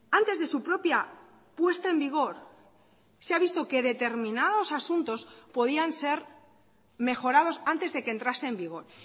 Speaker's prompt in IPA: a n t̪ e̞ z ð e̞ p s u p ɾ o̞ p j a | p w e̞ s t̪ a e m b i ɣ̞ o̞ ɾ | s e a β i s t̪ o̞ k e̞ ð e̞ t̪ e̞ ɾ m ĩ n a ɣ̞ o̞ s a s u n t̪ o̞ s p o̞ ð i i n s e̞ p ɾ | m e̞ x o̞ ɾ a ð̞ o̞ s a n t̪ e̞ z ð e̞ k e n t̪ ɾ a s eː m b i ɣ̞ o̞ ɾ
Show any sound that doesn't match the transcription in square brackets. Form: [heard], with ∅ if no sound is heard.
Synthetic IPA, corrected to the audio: a n t̪ e̞ z ð e̞ [∅] s u p ɾ o̞ p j a | p w e̞ s t̪ a e m b i ɣ̞ o̞ ɾ | s e a β i s t̪ o̞ k e̞ ð e̞ t̪ e̞ ɾ m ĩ n a [ð̞] o̞ s a s u n t̪ o̞ s p o̞ ð i [a] n s e̞ [∅] ɾ | m e̞ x o̞ ɾ a ð̞ o̞ s a n t̪ e̞ z ð e̞ k e n t̪ ɾ a s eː m b i ɣ̞ o̞ ɾ

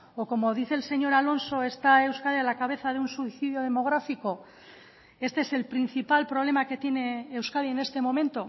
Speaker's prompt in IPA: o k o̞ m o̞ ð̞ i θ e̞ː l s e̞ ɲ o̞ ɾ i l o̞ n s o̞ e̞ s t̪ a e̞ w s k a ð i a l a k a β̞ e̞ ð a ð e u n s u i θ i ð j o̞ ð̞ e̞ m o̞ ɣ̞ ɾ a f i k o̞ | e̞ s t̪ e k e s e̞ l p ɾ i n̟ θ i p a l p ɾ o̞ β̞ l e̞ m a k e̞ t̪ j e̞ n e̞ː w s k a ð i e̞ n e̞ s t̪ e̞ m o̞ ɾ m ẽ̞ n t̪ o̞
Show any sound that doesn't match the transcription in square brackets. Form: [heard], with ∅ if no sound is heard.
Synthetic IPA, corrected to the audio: o k o̞ m o̞ ð̞ i θ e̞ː l s e̞ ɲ o̞ ɾ [a] l o̞ n s o̞ e̞ s t̪ a e̞ w s k a ð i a l a k a β̞ e̞ [θ] a ð e u n s u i θ i ð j o̞ ð̞ e̞ m o̞ ɣ̞ ɾ a f i k o̞ | e̞ s t̪ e [∅] e s e̞ l p ɾ i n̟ θ i p a l p ɾ o̞ β̞ l e̞ m a k e̞ t̪ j e̞ n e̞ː w s k a ð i e̞ n e̞ s t̪ e̞ m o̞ [∅] m ẽ̞ n t̪ o̞

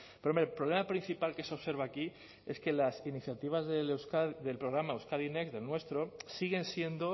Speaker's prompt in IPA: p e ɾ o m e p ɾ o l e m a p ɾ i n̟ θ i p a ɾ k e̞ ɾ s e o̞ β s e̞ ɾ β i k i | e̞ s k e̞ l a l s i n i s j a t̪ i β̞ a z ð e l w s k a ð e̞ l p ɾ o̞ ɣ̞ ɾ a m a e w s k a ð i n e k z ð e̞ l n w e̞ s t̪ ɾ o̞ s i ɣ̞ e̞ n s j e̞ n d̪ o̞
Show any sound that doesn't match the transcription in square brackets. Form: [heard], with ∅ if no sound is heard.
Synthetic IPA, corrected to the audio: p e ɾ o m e p ɾ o l e m a p ɾ i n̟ θ i p a [l] k e̞ [∅] s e o̞ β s e̞ ɾ β [a] k i | e̞ s k e̞ l a [∅] s i n i [θ] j a t̪ i β̞ a z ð e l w s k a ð e̞ l p ɾ o̞ ɣ̞ ɾ a m a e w s k a ð i n e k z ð e̞ l n w e̞ s t̪ ɾ o̞ s i ɣ̞ e̞ n s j e̞ n d̪ o̞

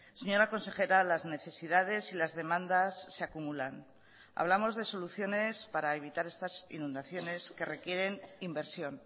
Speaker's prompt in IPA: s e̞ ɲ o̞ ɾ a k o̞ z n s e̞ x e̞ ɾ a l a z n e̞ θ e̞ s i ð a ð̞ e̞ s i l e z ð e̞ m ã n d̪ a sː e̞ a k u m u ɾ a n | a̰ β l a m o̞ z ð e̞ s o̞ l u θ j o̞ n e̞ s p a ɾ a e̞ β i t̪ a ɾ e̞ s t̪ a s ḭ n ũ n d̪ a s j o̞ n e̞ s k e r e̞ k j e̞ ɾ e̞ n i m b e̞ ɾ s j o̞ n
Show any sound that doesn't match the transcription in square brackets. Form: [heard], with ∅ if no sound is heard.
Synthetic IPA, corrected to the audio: s e̞ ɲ o̞ ɾ a k o̞ [∅] n s e̞ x e̞ ɾ a l a z n e̞ θ e̞ s i ð a ð̞ e̞ s i l [a] z ð e̞ m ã n d̪ a sː e̞ a k u m u [l] a n | a̰ β l a m o̞ z ð e̞ s o̞ l u θ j o̞ n e̞ s p a ɾ a e̞ β i t̪ a ɾ e̞ s t̪ a s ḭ n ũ n d̪ a [θ] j o̞ n e̞ s k e r e̞ k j e̞ ɾ e̞ n i m b e̞ ɾ s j o̞ n

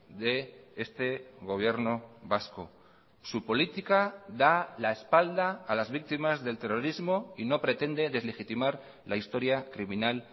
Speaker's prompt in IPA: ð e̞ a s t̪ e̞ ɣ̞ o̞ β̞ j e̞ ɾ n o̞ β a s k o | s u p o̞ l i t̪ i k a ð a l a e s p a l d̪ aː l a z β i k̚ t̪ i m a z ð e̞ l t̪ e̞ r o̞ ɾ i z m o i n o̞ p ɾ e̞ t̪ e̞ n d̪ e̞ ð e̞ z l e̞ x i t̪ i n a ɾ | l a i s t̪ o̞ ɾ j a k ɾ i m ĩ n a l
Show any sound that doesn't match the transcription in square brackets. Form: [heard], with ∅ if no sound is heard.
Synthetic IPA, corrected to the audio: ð e̞ [e] s t̪ e̞ ɣ̞ o̞ β̞ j e̞ ɾ n o̞ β a s k o | s u p o̞ l i t̪ i k a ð a l a e s p a l d̪ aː l a z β i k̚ t̪ i m a z ð e̞ l t̪ e̞ r o̞ ɾ i z m o i n o̞ p ɾ e̞ t̪ e̞ n d̪ e̞ ð e̞ z l e̞ x i t̪ i [m] a ɾ | l a i s t̪ o̞ ɾ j a k ɾ i m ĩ n a l

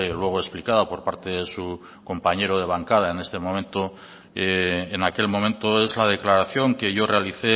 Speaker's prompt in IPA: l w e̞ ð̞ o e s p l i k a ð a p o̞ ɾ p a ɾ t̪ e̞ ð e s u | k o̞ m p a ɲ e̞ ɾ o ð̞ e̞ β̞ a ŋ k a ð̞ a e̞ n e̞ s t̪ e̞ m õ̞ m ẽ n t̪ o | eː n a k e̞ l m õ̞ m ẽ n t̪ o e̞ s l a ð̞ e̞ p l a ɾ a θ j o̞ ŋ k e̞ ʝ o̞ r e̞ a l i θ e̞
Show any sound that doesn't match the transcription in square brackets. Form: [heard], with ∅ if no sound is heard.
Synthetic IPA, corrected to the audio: l w e̞ [ɣ̞] o e s p l i k a ð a p o̞ ɾ p a ɾ t̪ e̞ ð e s u | k o̞ m p a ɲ e̞ ɾ o ð̞ e̞ β̞ a ŋ k a ð̞ a e̞ n e̞ s t̪ e̞ m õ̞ m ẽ n t̪ o | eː n a k e̞ l m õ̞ m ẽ n t̪ o e̞ [z] l a ð̞ e̞ [k] l a ɾ a θ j o̞ ŋ k e̞ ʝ o̞ r e̞ a l i θ e̞

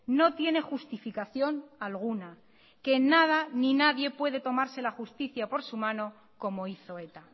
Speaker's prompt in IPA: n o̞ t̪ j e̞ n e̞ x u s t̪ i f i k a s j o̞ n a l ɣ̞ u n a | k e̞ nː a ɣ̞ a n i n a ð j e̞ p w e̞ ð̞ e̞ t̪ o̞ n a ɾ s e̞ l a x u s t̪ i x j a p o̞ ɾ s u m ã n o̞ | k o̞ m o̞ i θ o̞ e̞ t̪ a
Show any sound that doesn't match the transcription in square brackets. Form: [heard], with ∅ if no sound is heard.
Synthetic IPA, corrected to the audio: n o̞ t̪ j e̞ n e̞ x u s t̪ i f i k a [θ] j o̞ n a l ɣ̞ u n a | k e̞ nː a [ð̞] a n i n a ð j e̞ p w e̞ ð̞ e̞ t̪ o̞ [m] a ɾ s e̞ l a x u s t̪ i [θ] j a p o̞ ɾ s u m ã n o̞ | k o̞ m o̞ i θ o̞ e̞ t̪ a

